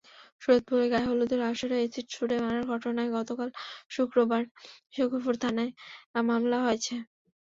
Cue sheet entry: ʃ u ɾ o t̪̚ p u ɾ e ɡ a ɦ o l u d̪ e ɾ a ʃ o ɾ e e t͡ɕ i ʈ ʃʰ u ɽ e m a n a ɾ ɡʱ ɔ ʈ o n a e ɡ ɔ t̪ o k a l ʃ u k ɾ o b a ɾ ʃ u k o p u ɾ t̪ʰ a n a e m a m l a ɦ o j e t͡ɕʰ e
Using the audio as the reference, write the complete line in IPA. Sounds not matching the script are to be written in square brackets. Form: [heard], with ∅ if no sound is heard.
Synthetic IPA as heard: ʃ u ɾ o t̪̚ p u ɾ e ɡ a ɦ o l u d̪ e ɾ a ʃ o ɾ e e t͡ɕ i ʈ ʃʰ u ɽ e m a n a ɾ ɡʱ ɔ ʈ o n a e ɡ ɔ t̪ o k a l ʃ u k ɾ o b a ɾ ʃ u k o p u ɾ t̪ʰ a n a e m a m l a ɦ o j e t͡ɕʰ e